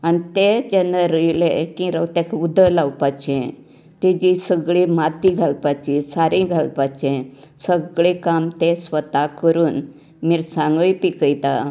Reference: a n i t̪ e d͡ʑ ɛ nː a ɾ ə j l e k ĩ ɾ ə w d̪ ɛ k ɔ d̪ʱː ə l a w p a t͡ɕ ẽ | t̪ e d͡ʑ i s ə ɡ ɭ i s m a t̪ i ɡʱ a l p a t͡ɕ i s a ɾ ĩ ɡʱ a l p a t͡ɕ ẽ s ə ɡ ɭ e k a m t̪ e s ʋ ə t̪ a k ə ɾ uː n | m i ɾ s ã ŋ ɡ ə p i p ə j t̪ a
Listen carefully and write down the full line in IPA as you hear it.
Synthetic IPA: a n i t̪ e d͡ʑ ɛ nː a ɾ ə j l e k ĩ ɾ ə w t̪ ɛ k u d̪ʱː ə l a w p a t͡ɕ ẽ | t̪ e d͡ʑ i s ə ɡ ɭ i m a t̪ i ɡʱ a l p a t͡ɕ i s a ɾ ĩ ɡʱ a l p a t͡ɕ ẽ s ə ɡ ɭ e k a m t̪ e s ʋ ə t̪ a k ə ɾ uː n | m i ɾ s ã ŋ ɡ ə p i k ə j t̪ a